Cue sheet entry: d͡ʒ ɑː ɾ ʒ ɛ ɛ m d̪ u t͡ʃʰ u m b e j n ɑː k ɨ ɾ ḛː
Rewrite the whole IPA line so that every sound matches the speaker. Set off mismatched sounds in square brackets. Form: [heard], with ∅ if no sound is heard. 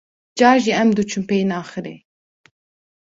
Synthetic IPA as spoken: d͡ʒ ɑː ɾ ʒ [i] ɛ m d̪ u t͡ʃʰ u m [p] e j n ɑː [x] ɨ ɾ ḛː